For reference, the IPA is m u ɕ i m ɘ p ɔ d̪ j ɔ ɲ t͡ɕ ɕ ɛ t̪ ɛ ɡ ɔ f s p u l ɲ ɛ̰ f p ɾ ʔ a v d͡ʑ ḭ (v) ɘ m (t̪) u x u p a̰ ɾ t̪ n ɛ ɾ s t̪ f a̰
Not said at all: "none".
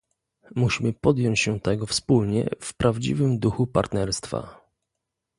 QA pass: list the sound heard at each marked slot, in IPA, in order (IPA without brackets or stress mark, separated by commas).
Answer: v, d̪